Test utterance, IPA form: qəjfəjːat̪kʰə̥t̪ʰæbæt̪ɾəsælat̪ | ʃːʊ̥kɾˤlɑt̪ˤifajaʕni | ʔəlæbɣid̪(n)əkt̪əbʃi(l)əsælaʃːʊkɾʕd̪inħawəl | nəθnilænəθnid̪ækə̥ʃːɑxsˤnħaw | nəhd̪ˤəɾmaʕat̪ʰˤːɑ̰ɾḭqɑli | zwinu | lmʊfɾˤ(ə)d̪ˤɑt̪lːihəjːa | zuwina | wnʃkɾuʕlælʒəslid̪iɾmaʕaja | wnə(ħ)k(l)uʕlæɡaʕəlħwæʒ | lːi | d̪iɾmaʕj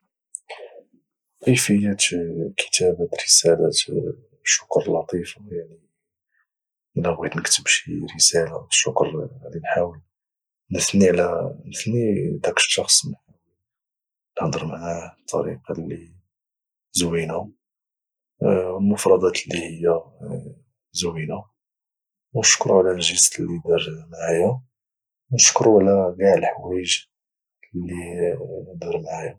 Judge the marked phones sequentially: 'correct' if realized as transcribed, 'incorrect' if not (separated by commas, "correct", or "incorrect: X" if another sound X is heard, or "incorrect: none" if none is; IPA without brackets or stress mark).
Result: correct, incorrect: ɾ, incorrect: ɑ, incorrect: ʃ, incorrect: ɾ